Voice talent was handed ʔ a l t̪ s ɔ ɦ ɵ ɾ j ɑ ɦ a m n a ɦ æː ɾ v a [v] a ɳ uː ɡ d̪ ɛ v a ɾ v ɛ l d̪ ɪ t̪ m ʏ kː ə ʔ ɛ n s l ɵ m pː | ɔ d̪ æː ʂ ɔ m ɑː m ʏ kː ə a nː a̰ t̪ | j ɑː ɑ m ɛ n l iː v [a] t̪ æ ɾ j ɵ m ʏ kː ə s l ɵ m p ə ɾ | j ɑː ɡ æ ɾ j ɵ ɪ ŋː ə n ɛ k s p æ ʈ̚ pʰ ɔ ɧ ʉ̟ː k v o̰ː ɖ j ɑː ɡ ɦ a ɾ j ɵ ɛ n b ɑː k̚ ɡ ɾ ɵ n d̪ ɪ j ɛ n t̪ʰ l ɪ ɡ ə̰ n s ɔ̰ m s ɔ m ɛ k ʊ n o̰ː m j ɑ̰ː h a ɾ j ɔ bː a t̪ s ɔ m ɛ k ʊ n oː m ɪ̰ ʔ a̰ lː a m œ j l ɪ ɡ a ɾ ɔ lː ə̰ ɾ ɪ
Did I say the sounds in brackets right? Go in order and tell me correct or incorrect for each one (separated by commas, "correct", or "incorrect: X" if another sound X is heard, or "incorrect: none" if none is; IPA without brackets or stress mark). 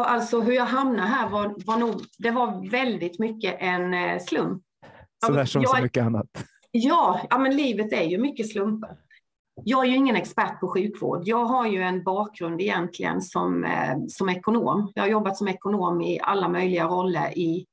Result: correct, incorrect: ə